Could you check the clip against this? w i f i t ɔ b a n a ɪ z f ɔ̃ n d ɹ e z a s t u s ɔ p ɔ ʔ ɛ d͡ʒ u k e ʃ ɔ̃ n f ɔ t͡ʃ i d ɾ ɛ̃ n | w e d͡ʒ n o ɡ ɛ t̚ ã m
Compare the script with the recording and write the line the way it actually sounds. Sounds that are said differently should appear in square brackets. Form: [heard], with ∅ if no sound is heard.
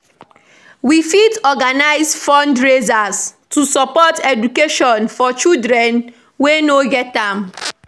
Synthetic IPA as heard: w i f i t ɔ [ɡ] a n a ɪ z f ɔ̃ n d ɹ e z a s t u s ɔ p ɔ [t] ɛ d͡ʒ u k e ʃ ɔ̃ n f ɔ t͡ʃ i d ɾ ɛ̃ n | w e [∅] n o ɡ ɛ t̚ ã m